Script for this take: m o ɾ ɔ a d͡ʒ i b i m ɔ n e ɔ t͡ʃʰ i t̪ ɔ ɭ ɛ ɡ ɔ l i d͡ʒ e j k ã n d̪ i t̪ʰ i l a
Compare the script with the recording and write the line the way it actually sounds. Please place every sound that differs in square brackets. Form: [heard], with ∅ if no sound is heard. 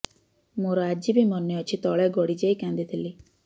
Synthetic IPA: m o ɾ ɔ a d͡ʒ i b i m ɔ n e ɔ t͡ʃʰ i t̪ ɔ ɭ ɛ ɡ ɔ [ɽ] i d͡ʒ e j k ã n d̪ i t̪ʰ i l [i]